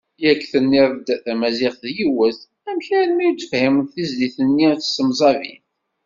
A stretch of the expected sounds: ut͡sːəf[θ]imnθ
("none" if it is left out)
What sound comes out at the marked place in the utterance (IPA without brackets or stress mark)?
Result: h